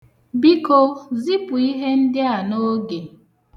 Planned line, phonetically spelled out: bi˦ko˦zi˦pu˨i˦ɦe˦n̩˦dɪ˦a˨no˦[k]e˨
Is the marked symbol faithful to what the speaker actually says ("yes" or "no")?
no